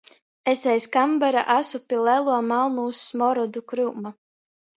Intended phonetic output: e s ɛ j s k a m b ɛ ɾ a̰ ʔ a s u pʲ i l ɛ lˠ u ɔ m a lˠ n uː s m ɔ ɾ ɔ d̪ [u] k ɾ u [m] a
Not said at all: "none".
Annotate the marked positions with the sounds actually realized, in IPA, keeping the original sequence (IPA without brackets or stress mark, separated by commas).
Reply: u, m